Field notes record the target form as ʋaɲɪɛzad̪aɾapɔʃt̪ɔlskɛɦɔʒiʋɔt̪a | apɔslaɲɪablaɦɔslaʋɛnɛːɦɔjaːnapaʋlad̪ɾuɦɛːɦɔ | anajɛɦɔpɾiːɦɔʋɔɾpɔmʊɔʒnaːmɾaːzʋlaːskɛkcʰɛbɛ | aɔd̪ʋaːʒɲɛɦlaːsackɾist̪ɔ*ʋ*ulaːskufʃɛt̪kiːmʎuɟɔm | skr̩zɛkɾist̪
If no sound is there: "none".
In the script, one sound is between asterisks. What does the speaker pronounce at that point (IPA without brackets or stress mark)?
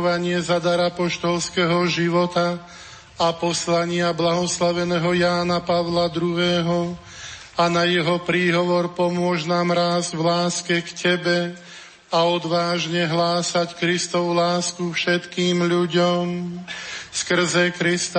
ʋ